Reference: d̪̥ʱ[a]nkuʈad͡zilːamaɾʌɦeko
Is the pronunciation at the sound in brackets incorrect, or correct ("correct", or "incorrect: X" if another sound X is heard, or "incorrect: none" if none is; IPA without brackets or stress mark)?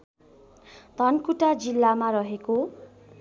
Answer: incorrect: ʌ